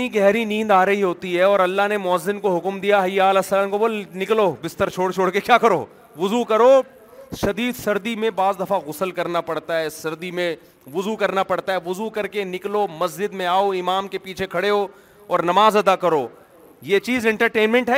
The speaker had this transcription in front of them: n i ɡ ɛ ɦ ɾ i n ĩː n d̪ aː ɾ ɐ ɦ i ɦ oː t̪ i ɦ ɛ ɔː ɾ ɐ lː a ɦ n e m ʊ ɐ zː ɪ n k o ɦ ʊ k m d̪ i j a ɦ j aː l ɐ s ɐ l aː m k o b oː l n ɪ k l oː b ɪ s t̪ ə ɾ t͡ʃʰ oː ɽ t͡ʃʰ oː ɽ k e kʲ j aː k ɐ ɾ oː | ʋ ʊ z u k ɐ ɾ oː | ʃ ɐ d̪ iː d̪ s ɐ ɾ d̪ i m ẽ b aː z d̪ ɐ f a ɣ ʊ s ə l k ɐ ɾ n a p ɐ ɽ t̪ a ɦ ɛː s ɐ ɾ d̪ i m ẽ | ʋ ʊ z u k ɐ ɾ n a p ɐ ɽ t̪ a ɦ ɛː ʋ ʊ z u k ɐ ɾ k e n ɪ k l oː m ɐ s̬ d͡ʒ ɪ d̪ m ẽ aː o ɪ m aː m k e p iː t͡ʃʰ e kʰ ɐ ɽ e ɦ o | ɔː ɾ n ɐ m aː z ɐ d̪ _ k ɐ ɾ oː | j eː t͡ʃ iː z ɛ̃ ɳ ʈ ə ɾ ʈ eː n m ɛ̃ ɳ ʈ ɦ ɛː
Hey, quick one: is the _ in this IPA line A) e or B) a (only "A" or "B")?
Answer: B